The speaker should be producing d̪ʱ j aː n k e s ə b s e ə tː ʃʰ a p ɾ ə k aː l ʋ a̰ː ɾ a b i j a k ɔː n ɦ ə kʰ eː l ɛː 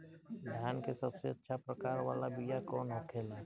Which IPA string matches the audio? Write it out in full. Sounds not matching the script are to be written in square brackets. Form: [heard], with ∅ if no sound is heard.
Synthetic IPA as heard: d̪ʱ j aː n k e s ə b s e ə tː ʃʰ a p ɾ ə k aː [ɾ] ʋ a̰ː [l] a b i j a k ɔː n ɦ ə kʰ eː l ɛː

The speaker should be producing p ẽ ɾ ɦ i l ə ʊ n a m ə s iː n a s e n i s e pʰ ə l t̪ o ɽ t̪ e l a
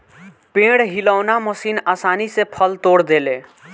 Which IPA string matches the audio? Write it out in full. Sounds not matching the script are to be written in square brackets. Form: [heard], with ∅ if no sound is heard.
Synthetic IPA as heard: p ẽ [ɽ] ɦ i l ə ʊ n a m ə s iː n a s [a] n i s e pʰ ə l t̪ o ɽ [d̪] e l [e]

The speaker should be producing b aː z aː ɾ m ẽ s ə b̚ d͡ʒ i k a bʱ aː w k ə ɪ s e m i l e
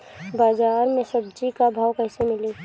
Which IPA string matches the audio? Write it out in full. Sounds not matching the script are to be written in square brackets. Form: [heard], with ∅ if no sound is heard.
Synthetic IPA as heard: b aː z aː ɾ m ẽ s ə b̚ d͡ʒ i k a bʱ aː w k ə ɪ s e m [ɪ] l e

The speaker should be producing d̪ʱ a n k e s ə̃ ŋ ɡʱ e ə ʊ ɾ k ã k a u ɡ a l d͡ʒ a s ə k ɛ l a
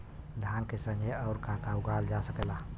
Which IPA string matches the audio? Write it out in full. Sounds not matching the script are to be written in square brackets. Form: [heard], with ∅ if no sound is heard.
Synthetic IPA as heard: d̪ʱ a n k e s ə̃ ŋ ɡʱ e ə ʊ ɾ k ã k a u ɡ a l d͡ʒ a s ə k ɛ l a

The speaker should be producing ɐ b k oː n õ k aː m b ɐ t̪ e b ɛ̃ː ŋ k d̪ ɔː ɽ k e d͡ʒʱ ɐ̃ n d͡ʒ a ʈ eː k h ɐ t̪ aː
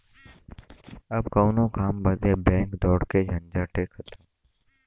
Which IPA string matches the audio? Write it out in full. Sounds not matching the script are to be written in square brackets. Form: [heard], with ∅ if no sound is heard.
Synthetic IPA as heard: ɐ b k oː n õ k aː m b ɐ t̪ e b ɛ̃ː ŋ k d̪ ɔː ɽ k e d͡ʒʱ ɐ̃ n d͡ʒ a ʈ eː k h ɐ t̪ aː

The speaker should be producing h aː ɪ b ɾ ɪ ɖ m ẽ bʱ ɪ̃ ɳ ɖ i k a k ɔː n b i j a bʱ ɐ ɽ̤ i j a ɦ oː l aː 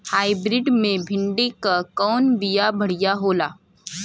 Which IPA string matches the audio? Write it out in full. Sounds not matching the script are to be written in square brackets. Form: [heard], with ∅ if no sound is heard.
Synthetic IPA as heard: h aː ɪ b ɾ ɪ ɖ m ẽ bʱ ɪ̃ ɳ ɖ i k a k ɔː n b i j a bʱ ɐ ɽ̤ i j a ɦ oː l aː

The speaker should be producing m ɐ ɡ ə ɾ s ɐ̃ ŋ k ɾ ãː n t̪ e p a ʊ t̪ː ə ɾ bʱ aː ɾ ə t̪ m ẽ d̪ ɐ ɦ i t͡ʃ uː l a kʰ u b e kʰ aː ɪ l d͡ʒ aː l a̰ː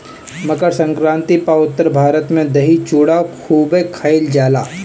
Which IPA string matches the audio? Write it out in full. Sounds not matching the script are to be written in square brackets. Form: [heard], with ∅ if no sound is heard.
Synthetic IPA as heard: m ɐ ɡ ə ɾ s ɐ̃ ŋ k ɾ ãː n t̪ [i] p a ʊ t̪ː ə ɾ bʱ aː ɾ ə t̪ m ẽ d̪ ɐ ɦ i t͡ʃ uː [ɽ] a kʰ [uː] b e kʰ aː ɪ l d͡ʒ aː l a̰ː

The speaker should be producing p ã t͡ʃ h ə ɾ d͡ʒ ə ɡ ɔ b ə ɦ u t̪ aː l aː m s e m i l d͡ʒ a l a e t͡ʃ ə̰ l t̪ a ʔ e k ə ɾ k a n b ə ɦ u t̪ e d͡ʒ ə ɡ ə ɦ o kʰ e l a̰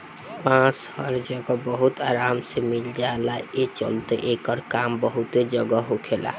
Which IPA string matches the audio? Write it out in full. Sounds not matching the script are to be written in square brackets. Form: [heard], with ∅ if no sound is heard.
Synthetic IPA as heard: p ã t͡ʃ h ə ɾ d͡ʒ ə ɡ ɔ b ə ɦ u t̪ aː [ɾ] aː m s e m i l d͡ʒ a l a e t͡ʃ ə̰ l t̪ [e] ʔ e k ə ɾ k a [m] b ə ɦ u t̪ e d͡ʒ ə ɡ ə ɦ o kʰ e l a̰

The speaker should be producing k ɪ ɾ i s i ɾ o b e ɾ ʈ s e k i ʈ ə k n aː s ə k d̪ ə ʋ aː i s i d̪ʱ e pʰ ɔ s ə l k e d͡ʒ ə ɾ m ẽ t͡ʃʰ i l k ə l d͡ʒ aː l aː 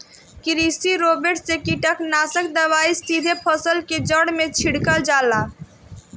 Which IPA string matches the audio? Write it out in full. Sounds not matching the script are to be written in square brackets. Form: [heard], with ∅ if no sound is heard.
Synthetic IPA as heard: k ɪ ɾ i s i ɾ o b e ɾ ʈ s e k i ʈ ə k n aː s ə k d̪ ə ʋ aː i s i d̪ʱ e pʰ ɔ s ə l k e d͡ʒ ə [ɽ] m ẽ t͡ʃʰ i [ɽ] k ə l d͡ʒ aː l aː

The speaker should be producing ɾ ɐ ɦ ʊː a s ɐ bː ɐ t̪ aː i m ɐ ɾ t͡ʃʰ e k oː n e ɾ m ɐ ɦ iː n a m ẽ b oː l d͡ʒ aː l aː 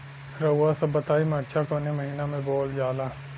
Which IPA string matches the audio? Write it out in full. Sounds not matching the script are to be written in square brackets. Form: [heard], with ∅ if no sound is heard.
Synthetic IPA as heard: ɾ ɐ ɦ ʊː a s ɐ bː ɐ t̪ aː i m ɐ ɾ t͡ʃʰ [a] k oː n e [∅] m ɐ ɦ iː n a m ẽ b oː l d͡ʒ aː l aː

